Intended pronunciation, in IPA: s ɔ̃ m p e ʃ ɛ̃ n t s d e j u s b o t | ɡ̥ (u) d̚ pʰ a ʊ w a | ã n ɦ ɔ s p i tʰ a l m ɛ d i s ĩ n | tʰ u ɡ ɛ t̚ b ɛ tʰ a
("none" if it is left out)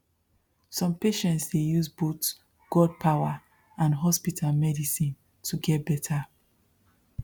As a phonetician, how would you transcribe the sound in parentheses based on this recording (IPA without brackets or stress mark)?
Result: ɔ